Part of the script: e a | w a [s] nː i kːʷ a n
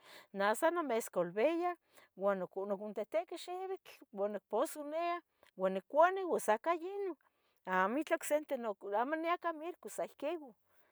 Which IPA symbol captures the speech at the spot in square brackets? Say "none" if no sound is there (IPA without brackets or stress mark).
none